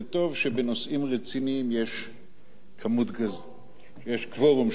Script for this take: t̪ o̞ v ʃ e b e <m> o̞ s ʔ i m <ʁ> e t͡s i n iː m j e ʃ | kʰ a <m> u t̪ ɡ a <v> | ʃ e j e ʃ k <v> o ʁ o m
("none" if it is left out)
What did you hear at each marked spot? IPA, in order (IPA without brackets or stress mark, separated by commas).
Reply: n, ʁ, m, z, v